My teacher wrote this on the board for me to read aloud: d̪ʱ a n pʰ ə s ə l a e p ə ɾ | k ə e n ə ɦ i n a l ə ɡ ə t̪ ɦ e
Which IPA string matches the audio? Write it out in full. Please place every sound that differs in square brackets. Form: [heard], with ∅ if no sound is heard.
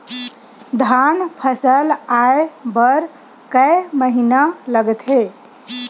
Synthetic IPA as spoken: d̪ʱ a n pʰ ə s ə l a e [b] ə ɾ | k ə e [m] ə ɦ i n a l ə ɡ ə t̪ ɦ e